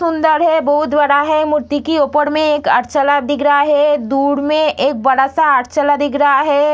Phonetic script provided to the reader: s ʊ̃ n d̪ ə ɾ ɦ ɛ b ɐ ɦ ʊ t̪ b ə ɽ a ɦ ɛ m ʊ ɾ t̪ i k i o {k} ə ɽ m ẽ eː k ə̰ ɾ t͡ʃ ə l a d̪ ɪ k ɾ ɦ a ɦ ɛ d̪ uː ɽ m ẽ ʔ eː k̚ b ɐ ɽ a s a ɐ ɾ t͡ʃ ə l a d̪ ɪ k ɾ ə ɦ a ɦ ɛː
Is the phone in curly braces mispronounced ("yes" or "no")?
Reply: yes